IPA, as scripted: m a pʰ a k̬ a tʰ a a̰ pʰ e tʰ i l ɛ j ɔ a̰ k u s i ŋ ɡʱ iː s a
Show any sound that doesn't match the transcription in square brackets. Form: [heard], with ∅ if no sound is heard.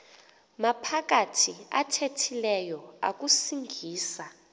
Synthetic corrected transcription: m a pʰ a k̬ a tʰ [i] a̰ [tʰ] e tʰ i l ɛ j ɔ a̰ k u s i ŋ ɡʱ iː s a